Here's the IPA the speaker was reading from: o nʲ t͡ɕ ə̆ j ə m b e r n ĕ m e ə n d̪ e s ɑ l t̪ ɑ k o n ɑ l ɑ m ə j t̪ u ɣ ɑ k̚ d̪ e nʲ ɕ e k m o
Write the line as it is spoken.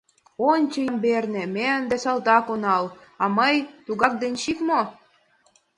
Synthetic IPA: o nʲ t͡ɕ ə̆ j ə m b e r n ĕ m e ə n d̪ e s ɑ l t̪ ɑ k o n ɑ l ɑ m ə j t̪ u ɣ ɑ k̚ d̪ e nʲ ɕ i k m o